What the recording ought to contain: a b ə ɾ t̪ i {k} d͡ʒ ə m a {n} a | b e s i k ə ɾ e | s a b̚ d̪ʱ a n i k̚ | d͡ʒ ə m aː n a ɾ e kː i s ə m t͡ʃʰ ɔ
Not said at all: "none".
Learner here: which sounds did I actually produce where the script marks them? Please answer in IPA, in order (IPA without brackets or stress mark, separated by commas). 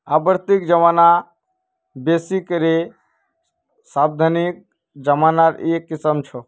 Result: k, n